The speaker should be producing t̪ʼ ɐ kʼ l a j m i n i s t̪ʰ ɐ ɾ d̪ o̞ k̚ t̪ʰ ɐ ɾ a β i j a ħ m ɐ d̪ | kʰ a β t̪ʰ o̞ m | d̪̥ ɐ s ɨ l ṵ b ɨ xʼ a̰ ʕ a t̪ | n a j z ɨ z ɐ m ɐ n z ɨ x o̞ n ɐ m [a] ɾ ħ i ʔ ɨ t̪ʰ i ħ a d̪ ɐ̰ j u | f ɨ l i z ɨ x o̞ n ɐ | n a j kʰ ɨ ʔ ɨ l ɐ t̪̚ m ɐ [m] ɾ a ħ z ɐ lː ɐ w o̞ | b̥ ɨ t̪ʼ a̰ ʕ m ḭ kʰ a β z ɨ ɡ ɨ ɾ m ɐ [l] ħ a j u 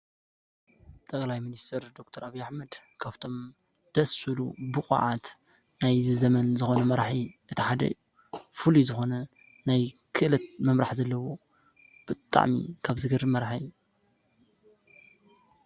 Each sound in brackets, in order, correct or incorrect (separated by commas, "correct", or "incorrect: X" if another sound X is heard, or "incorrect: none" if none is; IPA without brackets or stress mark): incorrect: ɐ, correct, incorrect: ɾ